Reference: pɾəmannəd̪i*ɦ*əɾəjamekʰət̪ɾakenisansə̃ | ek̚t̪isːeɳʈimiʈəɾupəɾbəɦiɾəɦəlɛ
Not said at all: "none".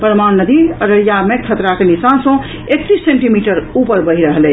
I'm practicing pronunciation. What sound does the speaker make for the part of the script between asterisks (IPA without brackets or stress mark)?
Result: none